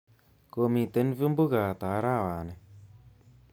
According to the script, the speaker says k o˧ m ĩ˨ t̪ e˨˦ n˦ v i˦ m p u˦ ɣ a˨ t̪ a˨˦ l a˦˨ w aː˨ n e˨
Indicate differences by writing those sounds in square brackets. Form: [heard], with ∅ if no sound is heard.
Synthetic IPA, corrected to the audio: k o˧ m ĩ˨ t̪ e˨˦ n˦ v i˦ m [b] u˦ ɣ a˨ t̪ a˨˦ [ɾ] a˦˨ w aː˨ n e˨